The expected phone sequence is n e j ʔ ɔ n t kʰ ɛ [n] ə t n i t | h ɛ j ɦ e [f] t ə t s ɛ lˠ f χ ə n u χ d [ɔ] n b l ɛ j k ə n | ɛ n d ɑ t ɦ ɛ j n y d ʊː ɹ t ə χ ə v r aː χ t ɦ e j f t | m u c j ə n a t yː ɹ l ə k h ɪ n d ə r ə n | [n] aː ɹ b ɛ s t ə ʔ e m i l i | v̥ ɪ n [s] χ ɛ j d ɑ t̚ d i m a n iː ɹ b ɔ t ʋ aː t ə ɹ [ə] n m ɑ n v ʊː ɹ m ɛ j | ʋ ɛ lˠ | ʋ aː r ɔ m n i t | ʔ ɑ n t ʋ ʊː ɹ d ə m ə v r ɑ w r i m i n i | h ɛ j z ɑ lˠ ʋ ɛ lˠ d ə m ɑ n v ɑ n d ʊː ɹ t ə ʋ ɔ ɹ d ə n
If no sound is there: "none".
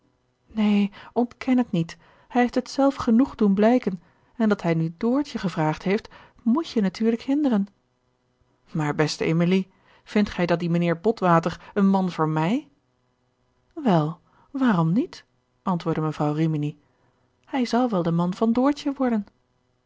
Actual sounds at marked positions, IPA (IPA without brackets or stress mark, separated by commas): n, f, u, m, t, ə